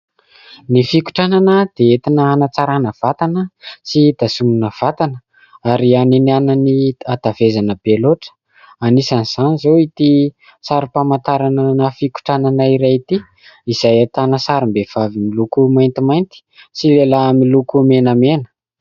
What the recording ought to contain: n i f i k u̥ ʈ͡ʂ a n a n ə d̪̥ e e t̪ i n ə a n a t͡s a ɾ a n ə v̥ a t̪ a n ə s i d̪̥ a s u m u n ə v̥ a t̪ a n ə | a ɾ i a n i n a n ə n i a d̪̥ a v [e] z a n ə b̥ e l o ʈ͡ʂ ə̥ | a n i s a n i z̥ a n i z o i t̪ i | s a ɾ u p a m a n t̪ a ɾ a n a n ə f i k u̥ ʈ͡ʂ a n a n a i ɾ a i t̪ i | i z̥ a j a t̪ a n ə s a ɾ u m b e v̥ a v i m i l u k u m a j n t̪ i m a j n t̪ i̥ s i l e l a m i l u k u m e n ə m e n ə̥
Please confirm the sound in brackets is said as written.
yes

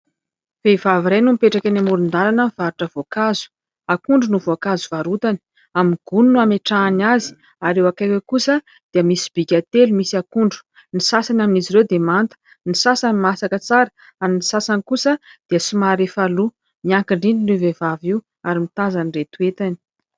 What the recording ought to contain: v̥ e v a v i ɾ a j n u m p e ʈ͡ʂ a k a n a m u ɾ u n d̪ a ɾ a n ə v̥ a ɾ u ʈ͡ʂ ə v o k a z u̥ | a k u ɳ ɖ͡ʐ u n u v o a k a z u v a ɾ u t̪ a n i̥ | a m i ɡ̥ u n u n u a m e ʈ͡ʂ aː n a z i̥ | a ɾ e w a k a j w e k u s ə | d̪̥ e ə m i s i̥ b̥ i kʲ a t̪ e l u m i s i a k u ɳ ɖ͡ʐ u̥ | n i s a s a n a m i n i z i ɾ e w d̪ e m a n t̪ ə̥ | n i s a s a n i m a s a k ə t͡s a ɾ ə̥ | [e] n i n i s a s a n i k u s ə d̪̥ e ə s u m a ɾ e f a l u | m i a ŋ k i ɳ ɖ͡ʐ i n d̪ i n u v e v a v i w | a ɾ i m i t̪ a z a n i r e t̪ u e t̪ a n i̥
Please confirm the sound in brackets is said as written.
no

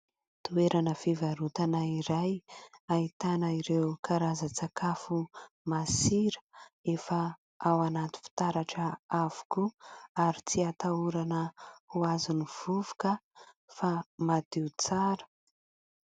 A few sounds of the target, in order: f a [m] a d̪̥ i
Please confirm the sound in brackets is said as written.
yes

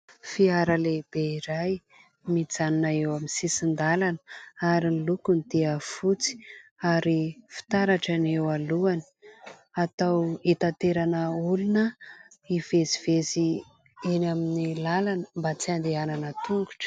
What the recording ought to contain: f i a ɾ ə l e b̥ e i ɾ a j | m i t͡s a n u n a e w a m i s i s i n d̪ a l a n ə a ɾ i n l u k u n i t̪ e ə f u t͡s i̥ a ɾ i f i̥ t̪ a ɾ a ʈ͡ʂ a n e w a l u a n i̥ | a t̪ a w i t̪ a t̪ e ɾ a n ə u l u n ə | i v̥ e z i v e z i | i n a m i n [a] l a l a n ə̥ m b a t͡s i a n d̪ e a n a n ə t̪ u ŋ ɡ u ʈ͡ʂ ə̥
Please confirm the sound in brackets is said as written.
no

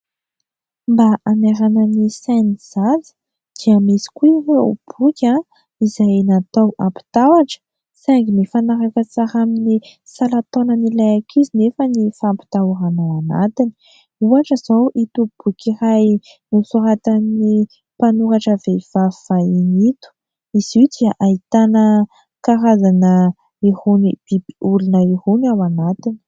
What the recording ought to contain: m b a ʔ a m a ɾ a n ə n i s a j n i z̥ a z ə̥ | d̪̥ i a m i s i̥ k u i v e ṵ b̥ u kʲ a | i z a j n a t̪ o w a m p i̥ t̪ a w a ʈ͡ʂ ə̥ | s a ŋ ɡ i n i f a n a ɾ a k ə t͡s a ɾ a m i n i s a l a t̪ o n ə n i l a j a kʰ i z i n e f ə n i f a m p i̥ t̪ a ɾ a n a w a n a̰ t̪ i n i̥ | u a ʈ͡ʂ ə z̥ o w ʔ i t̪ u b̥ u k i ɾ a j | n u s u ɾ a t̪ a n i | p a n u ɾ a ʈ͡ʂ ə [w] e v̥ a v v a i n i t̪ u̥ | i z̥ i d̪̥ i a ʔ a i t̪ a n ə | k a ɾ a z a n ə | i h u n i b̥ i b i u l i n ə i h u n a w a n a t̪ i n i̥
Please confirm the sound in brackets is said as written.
no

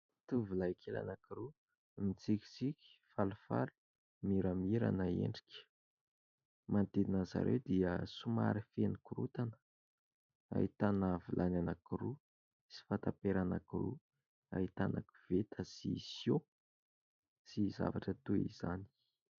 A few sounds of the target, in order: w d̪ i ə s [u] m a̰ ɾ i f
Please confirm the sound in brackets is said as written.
yes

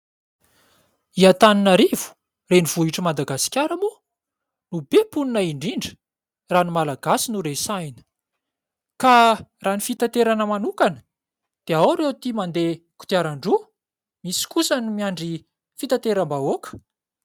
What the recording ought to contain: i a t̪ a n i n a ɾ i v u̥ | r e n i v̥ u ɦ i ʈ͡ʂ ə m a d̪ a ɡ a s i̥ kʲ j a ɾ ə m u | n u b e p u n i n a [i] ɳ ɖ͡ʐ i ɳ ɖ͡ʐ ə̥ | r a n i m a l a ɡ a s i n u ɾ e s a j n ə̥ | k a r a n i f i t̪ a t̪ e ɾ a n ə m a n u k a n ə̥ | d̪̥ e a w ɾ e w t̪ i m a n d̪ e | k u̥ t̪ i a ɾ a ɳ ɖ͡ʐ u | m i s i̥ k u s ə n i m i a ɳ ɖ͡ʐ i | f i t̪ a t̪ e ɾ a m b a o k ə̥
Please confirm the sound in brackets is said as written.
yes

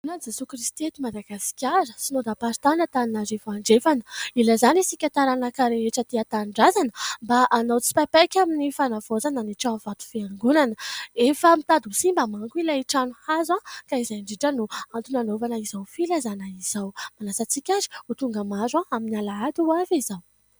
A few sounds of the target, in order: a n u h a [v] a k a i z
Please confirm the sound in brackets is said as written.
no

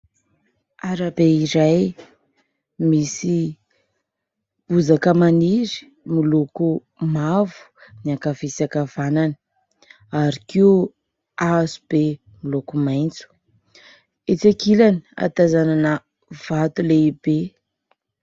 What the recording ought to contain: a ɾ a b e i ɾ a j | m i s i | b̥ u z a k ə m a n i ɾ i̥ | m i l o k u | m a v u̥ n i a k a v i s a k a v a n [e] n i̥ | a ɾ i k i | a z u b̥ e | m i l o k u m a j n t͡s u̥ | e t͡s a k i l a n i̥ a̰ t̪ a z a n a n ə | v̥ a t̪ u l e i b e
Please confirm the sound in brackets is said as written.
no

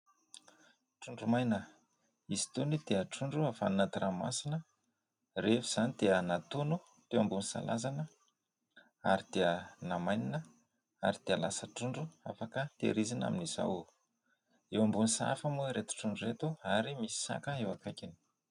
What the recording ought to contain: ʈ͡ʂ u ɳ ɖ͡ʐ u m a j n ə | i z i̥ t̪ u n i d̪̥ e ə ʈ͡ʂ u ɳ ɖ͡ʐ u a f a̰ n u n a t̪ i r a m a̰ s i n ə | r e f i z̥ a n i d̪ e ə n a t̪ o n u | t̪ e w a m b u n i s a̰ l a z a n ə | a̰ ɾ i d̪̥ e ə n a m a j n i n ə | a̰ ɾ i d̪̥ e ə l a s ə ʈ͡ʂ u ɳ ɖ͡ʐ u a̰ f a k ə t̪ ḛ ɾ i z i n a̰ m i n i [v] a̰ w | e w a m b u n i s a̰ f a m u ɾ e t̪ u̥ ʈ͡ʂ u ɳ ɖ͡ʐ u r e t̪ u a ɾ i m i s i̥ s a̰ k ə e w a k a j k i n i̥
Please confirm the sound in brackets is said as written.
no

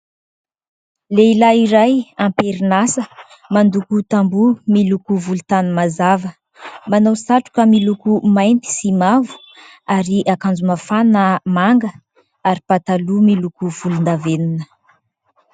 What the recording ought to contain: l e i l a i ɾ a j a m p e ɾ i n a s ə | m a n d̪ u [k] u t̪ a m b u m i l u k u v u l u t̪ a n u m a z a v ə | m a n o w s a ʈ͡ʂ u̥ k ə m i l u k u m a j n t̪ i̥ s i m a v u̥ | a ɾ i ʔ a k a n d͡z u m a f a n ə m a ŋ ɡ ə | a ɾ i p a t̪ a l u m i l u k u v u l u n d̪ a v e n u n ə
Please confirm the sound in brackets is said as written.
yes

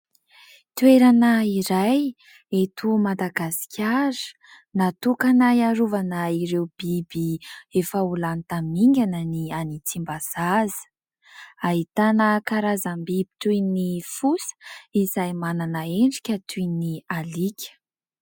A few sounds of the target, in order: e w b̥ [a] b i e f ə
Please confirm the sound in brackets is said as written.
no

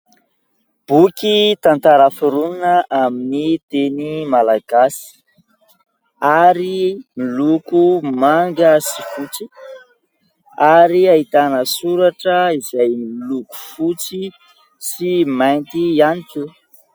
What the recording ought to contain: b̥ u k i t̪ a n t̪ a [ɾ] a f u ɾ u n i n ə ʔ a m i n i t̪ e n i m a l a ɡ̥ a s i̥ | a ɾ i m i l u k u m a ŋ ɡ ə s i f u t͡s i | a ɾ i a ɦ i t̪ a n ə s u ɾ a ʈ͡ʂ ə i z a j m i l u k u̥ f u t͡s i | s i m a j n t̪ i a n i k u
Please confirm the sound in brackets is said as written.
yes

